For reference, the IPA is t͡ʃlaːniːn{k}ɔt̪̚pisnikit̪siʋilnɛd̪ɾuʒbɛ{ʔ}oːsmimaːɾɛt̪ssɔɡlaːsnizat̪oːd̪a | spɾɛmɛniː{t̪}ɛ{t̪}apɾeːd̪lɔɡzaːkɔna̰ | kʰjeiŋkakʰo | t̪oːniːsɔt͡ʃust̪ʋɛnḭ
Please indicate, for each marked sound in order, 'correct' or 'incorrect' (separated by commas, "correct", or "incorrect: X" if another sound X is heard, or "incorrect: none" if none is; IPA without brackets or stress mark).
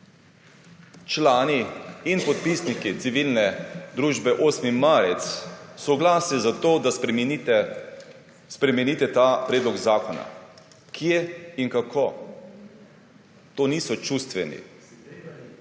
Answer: incorrect: p, correct, correct, correct